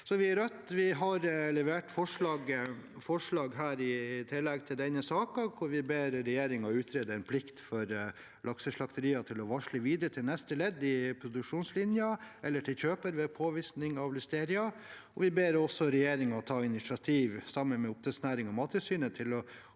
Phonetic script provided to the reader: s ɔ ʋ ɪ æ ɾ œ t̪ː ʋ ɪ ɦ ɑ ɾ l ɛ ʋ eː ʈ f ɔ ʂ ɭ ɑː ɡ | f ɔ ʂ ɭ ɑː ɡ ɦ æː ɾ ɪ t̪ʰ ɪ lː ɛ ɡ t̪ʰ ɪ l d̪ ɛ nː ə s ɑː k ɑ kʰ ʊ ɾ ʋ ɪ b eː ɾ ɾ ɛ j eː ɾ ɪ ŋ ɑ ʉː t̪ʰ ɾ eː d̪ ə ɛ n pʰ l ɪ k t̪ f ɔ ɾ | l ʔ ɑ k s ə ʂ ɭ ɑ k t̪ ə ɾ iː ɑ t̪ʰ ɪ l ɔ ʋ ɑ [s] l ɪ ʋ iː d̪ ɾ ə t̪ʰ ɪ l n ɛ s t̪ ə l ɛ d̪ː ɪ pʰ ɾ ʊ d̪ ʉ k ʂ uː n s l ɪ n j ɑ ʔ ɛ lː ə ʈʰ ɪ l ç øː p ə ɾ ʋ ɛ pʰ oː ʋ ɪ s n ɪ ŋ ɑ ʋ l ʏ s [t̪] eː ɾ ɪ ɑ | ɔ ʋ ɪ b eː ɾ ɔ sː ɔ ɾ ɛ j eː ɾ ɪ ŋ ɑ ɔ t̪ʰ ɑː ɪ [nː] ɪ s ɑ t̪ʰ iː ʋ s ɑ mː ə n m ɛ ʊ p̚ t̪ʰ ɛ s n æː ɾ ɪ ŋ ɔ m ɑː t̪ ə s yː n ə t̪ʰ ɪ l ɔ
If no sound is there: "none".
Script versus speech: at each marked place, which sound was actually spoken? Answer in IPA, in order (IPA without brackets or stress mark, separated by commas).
ʂ, t̪, n